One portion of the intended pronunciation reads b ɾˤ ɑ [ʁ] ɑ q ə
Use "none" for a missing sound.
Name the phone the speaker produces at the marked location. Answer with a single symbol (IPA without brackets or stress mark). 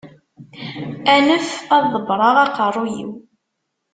ʁ